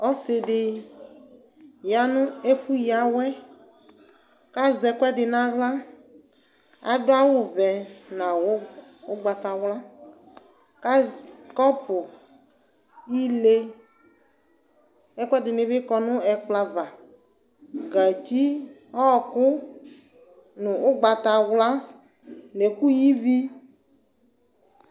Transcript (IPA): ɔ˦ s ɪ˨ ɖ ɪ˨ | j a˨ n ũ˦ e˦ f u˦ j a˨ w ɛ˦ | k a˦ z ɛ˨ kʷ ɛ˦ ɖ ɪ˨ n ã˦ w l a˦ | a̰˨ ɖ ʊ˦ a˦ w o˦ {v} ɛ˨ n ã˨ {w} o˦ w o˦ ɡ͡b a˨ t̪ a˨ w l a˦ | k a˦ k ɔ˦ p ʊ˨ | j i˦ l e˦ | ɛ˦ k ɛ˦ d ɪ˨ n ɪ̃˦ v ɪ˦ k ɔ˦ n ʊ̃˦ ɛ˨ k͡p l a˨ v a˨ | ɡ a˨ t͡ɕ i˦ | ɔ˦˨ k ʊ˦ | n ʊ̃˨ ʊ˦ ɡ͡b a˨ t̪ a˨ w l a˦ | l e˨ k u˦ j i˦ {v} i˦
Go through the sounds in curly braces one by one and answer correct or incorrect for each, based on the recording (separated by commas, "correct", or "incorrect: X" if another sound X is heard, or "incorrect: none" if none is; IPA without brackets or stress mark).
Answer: correct, correct, correct